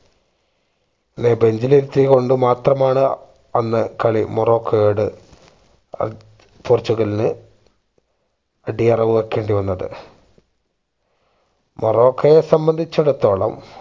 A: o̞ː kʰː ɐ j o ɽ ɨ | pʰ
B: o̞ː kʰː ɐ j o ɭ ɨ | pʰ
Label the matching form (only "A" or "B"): A